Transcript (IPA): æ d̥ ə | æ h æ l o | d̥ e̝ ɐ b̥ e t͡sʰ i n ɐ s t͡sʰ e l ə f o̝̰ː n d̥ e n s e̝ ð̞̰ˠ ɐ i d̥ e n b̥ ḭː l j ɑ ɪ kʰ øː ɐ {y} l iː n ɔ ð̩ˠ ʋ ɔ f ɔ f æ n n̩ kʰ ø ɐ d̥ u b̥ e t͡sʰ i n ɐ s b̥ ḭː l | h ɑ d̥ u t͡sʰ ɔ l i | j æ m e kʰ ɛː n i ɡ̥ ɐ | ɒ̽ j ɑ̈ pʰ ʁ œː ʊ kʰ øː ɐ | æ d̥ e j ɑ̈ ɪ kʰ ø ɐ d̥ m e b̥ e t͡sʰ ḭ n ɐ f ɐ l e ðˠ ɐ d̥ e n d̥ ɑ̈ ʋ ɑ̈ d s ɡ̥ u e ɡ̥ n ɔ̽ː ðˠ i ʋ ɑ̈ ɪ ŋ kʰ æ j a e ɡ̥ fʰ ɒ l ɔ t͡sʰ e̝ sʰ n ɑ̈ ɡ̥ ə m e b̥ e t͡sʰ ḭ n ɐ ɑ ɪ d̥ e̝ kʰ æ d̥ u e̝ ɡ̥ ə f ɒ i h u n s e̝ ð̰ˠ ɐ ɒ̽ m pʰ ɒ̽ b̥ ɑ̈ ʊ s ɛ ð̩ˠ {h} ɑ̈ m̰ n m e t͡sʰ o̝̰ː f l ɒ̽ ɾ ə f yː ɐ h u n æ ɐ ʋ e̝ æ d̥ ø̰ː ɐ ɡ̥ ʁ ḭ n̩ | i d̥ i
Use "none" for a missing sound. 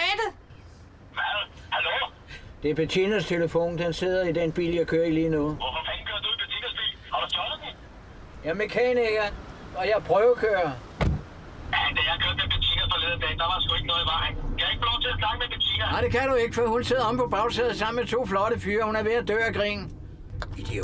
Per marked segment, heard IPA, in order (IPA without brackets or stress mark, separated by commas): i, s